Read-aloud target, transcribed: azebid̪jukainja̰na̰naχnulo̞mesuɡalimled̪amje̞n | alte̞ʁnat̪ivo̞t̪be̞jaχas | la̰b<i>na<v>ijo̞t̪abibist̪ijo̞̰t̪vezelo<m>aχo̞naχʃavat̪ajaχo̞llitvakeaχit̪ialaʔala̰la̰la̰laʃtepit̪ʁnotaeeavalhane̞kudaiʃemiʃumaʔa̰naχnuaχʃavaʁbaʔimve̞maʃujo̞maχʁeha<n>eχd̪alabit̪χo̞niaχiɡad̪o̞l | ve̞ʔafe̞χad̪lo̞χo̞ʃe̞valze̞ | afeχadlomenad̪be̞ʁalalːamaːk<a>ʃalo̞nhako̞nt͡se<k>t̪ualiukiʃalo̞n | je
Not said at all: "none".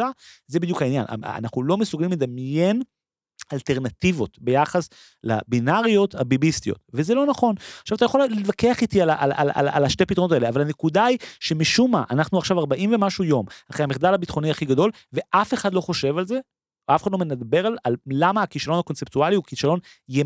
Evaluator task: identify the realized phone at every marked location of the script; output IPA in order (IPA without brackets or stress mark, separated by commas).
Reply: i, ʁ, n, m, i, p